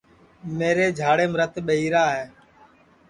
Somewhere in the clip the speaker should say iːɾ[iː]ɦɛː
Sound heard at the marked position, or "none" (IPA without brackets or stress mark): aː